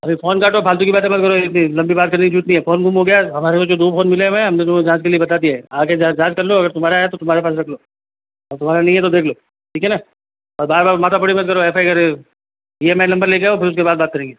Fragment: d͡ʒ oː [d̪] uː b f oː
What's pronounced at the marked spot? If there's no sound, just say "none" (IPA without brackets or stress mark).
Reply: d̪